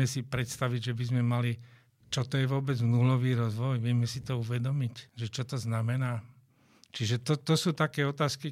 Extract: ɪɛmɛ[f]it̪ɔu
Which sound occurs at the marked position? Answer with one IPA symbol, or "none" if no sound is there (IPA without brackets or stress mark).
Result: s